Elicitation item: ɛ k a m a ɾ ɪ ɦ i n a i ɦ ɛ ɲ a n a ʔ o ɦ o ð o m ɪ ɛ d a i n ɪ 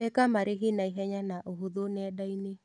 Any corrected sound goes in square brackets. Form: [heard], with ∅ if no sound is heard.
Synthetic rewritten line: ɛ k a m a ɾ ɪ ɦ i n a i ɦ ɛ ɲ a n a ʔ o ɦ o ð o [n] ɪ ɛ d a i n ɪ